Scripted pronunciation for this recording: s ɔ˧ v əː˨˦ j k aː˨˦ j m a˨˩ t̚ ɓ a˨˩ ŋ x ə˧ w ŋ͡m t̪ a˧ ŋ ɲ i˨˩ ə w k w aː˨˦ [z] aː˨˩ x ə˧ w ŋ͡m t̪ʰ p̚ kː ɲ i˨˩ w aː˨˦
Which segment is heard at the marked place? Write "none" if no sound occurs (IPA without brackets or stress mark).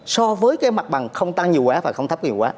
v